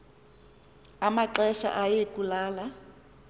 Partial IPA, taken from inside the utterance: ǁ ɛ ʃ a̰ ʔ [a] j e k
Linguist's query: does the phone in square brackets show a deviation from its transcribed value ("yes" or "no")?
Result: no